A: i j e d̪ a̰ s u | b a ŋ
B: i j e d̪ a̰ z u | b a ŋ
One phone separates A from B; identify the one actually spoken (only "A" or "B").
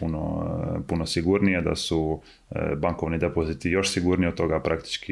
A